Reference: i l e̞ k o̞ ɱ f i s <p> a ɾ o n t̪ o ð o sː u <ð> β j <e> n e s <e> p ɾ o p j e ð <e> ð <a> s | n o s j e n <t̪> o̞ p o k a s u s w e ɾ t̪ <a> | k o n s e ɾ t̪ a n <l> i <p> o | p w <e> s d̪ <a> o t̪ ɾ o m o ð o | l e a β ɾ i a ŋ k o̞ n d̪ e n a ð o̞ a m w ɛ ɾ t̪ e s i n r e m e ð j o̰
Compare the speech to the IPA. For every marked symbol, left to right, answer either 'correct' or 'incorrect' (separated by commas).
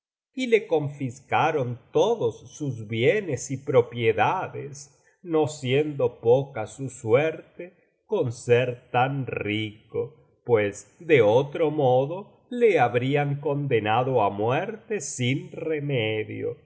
incorrect, incorrect, correct, incorrect, incorrect, incorrect, incorrect, incorrect, incorrect, incorrect, correct, incorrect